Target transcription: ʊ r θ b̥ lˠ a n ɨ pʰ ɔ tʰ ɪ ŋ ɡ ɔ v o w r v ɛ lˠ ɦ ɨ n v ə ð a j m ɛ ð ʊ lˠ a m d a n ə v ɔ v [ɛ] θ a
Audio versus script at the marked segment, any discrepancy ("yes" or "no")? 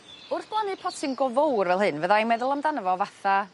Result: yes